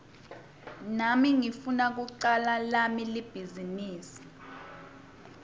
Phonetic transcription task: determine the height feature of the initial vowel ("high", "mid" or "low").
low